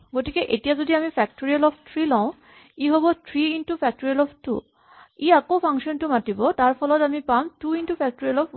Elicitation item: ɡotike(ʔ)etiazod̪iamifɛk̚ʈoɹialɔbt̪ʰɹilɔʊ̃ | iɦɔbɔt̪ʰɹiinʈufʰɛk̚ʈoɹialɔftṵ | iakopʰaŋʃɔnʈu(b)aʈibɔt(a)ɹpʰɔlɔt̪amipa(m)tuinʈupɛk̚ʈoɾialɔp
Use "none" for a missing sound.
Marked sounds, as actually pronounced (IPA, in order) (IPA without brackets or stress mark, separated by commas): ʔ, m, a, m